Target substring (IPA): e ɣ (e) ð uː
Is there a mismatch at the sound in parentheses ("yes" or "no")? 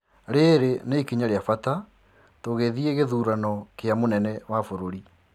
no